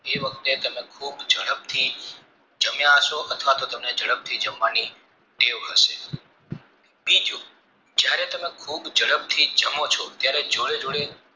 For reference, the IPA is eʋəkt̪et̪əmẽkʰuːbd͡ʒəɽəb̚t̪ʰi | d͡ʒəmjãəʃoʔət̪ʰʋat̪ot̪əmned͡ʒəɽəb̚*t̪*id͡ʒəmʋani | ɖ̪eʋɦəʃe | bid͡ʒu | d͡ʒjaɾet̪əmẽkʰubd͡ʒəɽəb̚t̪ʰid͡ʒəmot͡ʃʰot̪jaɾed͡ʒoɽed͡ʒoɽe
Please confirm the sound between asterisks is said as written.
no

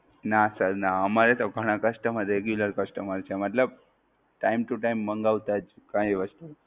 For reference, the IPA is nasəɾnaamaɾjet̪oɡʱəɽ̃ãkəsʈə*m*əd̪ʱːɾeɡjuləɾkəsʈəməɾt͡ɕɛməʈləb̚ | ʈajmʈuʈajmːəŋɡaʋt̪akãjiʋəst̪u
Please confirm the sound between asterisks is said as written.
yes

